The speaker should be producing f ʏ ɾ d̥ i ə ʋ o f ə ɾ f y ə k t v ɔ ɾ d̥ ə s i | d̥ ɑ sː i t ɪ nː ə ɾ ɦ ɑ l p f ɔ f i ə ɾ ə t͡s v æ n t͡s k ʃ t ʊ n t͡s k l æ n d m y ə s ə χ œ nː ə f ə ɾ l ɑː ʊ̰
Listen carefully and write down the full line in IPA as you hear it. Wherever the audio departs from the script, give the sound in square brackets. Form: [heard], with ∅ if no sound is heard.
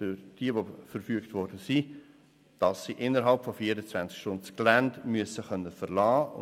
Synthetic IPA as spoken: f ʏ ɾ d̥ i ə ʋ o f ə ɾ f y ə k t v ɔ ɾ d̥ ə s i | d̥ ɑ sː i [ʔ] ɪ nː ə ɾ ɦ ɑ l p f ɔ f i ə ɾ ə t͡s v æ n t͡s k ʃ t ʊ n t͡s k l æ n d m y ə s ə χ œ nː ə f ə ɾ l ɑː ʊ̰

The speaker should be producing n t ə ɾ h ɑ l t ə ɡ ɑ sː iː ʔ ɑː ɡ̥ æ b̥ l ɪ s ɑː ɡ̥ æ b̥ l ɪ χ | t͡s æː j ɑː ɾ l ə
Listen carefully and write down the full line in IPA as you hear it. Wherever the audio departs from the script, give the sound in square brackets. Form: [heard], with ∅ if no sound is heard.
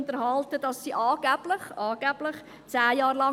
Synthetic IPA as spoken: n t ə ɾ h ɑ l t ə [d] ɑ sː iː ʔ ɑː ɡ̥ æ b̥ l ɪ [χ] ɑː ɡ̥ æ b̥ l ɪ χ | t͡s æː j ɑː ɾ l [ɑ]

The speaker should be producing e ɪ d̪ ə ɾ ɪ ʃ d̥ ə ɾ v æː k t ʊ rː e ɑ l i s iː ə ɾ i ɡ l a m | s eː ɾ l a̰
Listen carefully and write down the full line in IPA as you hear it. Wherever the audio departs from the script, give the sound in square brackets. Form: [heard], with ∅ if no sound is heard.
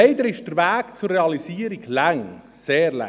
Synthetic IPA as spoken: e ɪ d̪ ə ɾ ɪ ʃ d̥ ə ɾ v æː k [t͡s] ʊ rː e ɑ l i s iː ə ɾ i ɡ l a [ŋ] | s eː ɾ l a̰

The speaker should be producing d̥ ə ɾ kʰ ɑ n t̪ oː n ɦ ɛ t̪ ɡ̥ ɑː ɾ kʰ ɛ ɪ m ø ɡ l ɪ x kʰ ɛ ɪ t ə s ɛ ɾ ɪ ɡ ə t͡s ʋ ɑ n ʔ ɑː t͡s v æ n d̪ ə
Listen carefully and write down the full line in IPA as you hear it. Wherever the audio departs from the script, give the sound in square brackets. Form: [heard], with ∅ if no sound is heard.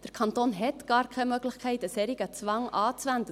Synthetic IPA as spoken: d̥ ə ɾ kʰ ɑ n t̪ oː n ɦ ɛ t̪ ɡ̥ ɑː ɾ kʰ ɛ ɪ m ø ɡ l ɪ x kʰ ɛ ɪ t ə s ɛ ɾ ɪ ɡ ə t͡s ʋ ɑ [ŋ] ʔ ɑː t͡s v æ n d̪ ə

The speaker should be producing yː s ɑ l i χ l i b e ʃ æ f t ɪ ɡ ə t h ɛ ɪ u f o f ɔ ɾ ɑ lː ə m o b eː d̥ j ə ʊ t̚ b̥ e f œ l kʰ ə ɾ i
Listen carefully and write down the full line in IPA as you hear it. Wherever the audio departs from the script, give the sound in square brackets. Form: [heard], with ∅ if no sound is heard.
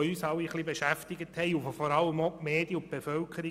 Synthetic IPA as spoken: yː s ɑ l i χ l i b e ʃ æ f t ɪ ɡ ə t h ɛ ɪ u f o f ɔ ɾ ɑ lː ə m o [m] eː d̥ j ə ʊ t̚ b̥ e f œ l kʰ ə ɾ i

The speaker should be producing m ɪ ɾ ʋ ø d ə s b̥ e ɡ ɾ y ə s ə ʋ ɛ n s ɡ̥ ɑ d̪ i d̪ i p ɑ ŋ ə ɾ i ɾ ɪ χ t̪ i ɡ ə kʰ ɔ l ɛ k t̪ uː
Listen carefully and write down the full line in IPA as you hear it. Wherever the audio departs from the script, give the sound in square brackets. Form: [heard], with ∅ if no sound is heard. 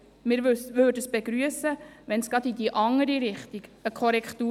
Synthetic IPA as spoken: m ɪ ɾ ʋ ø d ə s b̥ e ɡ ɾ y ə s ə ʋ ɛ n s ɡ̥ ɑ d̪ i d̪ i [ʔ] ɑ ŋ ə ɾ i ɾ ɪ χ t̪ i ɡ ə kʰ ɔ [ɾ] ɛ k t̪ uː

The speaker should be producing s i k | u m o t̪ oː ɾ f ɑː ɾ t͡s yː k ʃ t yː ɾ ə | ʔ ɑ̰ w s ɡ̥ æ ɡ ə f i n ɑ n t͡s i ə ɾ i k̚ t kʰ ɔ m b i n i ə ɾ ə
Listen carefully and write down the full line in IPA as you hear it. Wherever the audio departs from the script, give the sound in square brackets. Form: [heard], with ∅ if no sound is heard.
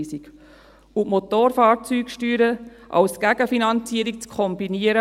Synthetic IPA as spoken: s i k | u m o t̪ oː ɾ f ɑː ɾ t͡s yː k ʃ t yː ɾ ə | ʔ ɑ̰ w s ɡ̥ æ ɡ ə f i n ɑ n t͡s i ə ɾ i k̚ [t͡s] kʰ ɔ m b i n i ə ɾ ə

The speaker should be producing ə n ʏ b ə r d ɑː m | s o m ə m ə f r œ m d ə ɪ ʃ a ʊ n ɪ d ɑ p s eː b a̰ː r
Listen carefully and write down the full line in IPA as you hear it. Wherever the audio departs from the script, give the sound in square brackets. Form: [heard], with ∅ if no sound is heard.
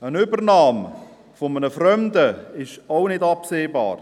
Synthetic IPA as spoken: ə n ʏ b ə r [n] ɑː m | [f] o m ə [n] ə f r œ m d ə ɪ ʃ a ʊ n ɪ d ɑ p s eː b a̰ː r

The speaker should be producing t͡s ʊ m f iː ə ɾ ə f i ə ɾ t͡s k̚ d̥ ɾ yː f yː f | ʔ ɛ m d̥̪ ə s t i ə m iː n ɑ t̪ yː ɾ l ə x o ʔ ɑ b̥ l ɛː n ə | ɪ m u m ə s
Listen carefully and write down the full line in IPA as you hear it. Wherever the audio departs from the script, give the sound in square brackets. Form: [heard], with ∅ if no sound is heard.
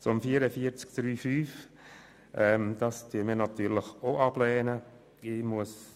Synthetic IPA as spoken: t͡s ʊ m f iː ə ɾ ə f i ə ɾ t͡s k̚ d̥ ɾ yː f yː f | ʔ ɛ m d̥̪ [ɑ] s t [y] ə m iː n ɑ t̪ yː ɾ l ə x o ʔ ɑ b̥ l ɛː n ə | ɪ m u [∅] ə s

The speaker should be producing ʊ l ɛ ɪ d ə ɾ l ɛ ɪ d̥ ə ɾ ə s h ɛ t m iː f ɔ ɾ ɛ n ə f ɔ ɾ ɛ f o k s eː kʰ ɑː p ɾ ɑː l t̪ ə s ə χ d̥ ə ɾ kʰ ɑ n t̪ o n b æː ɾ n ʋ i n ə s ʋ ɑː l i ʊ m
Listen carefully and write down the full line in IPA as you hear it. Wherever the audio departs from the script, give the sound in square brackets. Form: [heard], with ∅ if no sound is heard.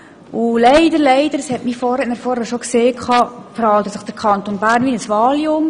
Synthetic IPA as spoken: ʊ l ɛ ɪ d ə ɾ l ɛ ɪ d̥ ə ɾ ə s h ɛ t m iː f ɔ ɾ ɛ n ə f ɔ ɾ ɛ [ʃ] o k s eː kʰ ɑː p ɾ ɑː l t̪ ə s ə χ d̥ ə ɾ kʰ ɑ n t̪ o n b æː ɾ n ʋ i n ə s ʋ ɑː l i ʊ m

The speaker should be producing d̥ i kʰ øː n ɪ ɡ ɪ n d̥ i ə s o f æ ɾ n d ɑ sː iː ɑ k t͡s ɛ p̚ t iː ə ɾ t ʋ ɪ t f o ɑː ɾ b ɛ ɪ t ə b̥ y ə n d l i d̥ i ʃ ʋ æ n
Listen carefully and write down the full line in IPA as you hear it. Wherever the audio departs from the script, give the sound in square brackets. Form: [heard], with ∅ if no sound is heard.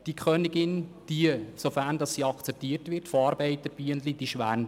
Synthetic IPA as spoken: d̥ i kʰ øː n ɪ ɡ ɪ n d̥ i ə s o f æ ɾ n d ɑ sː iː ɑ k t͡s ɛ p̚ t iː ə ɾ t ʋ ɪ t f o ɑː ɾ b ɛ ɪ t ə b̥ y ə n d l i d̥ i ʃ ʋ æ n

